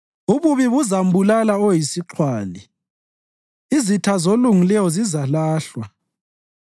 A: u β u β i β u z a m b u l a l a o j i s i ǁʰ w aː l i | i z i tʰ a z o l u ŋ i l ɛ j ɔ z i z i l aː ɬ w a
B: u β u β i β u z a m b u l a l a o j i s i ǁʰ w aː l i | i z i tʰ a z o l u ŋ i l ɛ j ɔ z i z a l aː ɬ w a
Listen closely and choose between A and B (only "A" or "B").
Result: B